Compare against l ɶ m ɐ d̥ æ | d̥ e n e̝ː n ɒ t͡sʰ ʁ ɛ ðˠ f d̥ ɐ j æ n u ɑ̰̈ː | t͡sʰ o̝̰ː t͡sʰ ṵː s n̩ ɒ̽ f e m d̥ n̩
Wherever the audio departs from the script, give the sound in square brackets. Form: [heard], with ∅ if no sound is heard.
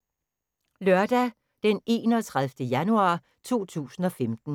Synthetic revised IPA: l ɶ [∅] ɐ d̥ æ | d̥ e n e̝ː n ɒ t͡sʰ ʁ [a] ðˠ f d̥ [ə] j æ n u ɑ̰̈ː | t͡sʰ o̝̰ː t͡sʰ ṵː s n̩ ɒ̽ f e m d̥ n̩